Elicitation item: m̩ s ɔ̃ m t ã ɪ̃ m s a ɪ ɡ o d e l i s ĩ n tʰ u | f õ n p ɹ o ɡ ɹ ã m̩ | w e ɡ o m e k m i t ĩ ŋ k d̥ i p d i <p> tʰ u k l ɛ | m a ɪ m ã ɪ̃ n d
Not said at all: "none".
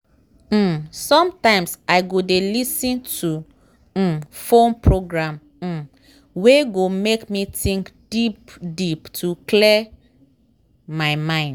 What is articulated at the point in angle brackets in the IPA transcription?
p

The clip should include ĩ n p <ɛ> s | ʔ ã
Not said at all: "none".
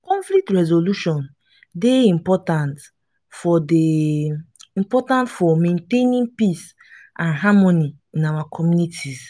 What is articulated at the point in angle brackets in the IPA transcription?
i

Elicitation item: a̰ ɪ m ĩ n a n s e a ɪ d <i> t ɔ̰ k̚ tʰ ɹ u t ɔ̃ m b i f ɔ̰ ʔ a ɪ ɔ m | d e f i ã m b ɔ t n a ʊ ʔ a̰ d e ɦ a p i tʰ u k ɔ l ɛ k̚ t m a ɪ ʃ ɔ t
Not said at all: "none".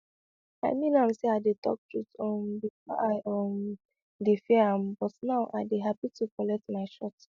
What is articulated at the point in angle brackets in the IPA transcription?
e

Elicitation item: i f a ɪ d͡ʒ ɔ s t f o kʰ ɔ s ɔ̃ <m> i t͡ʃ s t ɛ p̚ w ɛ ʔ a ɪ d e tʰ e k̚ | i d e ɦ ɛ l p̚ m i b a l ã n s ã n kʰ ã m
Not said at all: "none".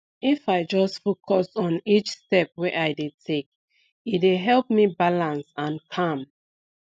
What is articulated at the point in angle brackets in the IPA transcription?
n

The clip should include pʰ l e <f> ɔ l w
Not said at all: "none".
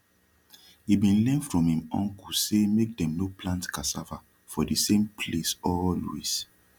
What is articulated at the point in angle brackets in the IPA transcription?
s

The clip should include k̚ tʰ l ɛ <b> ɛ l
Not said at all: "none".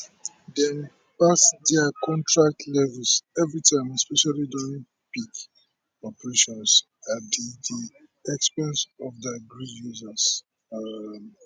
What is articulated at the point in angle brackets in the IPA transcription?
v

